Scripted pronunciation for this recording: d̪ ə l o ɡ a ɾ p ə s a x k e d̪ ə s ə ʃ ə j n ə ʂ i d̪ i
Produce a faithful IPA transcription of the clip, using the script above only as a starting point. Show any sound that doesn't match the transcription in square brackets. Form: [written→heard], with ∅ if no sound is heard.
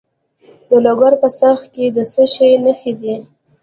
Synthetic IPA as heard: d̪ ə l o ɡ a ɾ p ə s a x k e d̪ ə s ə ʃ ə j n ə [ʂ→x] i d̪ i